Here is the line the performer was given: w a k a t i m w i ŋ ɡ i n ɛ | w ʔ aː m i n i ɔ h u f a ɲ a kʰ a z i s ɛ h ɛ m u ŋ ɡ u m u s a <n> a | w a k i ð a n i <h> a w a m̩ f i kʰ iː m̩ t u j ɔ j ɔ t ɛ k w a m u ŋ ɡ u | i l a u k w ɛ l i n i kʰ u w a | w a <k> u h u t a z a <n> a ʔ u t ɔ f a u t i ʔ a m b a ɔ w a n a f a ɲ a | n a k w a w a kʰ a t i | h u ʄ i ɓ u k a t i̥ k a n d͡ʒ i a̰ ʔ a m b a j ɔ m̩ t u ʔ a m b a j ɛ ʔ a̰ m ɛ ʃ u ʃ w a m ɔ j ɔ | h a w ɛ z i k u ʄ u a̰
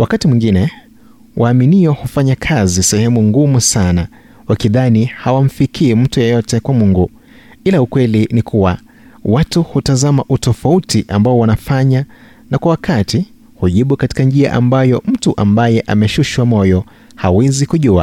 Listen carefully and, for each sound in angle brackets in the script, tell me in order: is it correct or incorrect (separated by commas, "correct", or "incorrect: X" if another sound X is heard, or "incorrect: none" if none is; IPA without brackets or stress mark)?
correct, correct, incorrect: t, incorrect: m